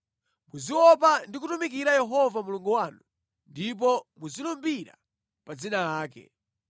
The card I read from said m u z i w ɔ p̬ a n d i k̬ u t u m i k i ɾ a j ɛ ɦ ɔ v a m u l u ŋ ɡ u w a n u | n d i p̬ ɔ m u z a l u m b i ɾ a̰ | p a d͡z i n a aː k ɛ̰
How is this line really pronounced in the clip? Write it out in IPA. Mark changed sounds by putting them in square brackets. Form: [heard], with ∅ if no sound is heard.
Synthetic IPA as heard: m u z i w ɔ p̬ a n d i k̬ u t u m i k i ɾ a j ɛ ɦ ɔ v a m u l u ŋ ɡ u w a n u | n d i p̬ ɔ m u z [i] l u m b i ɾ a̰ | p a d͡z i n a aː k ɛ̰